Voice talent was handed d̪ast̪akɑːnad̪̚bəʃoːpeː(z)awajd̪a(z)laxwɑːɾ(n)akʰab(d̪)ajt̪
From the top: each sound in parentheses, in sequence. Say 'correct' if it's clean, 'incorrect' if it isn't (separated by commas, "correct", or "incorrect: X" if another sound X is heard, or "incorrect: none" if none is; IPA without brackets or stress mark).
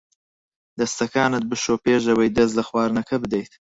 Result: incorrect: ʒ, correct, correct, correct